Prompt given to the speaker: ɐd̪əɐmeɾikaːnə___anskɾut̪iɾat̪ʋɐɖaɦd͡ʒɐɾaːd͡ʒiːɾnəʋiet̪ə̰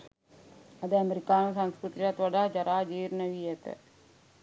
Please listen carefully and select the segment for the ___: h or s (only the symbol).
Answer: s